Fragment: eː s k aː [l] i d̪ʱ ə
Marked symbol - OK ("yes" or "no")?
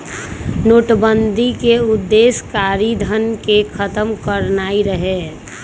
no